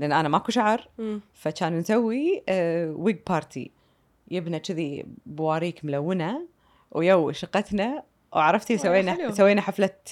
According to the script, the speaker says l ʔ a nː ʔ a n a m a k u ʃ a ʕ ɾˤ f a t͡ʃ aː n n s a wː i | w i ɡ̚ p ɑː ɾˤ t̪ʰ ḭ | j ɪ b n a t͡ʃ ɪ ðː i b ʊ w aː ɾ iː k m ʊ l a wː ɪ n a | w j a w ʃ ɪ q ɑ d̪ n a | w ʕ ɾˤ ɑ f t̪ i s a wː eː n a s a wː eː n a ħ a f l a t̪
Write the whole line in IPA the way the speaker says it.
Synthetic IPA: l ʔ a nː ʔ a n a m a k u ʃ a ʕ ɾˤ f a t͡ʃ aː n n s a wː i | w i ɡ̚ p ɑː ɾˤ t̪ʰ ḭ | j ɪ b n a t͡ʃ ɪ ð i b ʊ w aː ɾ iː k m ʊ l a wː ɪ n a | w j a w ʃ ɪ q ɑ t̪ n a | w ʕ ɾˤ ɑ f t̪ i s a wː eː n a s a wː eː n a ħ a f l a t̪